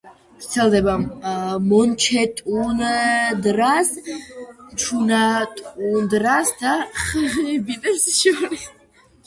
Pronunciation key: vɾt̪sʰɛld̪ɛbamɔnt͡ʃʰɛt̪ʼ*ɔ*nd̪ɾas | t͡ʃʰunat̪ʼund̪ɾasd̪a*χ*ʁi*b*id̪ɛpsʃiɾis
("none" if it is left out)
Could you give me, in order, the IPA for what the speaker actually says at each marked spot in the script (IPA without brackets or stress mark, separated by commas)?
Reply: u, χ, b